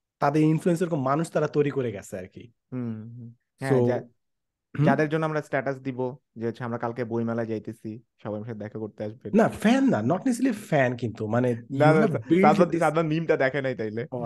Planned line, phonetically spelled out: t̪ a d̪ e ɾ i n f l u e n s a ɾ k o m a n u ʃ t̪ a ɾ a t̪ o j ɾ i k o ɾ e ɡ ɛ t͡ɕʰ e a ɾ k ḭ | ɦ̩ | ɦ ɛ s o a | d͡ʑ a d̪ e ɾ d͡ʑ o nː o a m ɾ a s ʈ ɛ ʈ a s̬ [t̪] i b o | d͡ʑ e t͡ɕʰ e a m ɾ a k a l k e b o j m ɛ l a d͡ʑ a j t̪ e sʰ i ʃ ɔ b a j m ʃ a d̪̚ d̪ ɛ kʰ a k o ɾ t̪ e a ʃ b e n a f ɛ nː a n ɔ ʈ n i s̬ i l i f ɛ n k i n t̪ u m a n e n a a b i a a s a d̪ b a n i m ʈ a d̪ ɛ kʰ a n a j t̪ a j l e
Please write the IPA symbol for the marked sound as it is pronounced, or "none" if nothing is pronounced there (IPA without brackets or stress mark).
d̪